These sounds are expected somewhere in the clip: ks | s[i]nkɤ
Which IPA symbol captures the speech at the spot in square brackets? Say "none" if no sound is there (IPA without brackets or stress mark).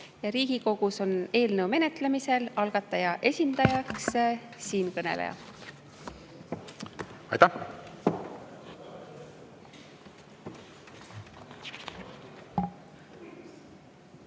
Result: iː